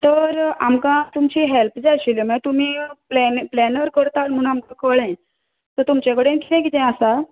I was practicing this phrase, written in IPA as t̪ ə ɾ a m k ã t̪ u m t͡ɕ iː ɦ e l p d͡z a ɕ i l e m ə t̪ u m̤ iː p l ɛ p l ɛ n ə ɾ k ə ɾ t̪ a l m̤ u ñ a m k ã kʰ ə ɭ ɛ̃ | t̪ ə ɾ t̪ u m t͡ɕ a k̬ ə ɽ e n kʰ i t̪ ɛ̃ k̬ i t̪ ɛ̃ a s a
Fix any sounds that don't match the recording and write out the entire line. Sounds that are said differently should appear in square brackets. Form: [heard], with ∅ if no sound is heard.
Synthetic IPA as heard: t̪ ə ɾ a m k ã t̪ u m t͡ɕ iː ɦ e l p d͡z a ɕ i l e m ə t̪ u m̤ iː p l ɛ p l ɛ n ə ɾ k ə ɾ t̪ a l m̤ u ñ a m k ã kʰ ə ɭ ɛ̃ | t̪ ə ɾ t̪ u m t͡ɕ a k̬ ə ɽ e n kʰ i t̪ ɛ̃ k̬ i t̪ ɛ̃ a s a